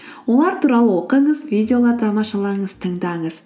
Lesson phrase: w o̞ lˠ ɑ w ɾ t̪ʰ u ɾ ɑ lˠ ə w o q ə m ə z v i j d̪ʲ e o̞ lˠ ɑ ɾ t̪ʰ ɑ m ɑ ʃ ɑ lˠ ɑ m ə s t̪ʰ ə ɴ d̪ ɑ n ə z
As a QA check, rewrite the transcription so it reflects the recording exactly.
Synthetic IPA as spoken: w o̞ lˠ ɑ ɾ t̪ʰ u ɾ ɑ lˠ ə w o q ə ɴ ə z v i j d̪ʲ e o̞ lˠ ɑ ɾ t̪ʰ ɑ m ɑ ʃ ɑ lˠ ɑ ɴ ə z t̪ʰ ə ɴ d̪ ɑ ɴ ə z